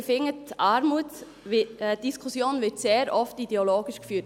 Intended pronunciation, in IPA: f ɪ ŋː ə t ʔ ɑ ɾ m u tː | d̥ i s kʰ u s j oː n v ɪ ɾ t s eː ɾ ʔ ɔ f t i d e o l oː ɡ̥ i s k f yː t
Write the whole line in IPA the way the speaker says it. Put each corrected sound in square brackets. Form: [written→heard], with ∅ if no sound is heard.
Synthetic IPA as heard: f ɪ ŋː ə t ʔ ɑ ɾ m u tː | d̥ i s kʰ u s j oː n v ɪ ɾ t s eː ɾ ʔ ɔ f t i d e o l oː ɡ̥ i [s→ʃ] k f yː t